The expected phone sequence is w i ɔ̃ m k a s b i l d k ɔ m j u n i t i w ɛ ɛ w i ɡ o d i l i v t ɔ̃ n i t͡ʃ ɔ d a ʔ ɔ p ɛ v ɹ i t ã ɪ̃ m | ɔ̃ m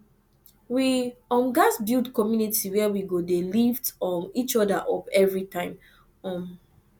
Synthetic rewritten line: w i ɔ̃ m ɡ a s b i l d k ɔ m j u n i t i w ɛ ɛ w i ɡ o d e l i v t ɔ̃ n i t͡ʃ ɔ d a ʔ ɔ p ɛ v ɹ i t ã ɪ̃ m | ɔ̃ m